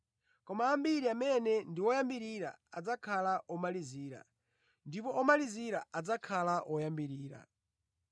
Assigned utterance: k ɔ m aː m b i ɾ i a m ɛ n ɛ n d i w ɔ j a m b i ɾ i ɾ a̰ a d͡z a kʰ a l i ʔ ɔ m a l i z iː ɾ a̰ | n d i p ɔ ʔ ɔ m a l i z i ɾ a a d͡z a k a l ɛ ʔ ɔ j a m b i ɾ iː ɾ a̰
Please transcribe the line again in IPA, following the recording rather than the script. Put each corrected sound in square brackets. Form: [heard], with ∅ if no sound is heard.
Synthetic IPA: k ɔ m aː m b i ɾ i a m ɛ n ɛ n d i w ɔ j a m b i ɾ i ɾ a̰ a d͡z a kʰ a l [a] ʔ ɔ m a l i z iː ɾ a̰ | n d i p ɔ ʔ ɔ m a l i z i ɾ a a d͡z a [kʰ] a l [a] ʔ ɔ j a m b i ɾ iː ɾ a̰